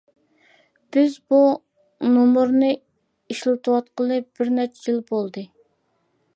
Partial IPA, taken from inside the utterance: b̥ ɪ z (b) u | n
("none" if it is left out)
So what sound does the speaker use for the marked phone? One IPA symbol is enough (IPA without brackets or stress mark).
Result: b